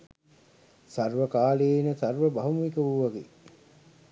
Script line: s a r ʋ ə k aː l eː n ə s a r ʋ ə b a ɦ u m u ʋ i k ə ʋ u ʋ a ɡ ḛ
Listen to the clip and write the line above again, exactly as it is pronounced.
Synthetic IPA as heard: s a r ʋ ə k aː l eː n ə s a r ʋ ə b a ɦ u m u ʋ i k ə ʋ u ʋ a ɡ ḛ